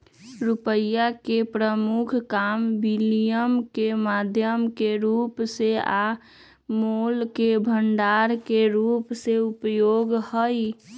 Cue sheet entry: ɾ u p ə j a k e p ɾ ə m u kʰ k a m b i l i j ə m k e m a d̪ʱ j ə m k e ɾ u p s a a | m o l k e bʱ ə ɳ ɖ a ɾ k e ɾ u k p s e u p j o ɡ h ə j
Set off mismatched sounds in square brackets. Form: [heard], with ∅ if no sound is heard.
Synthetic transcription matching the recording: ɾ u p ə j a k e p ɾ ə m u kʰ k a m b i l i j ə m k e m a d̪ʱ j ə m k e ɾ u p s [e] a | m o l k e bʱ ə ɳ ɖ a ɾ k e ɾ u [∅] p s e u p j o ɡ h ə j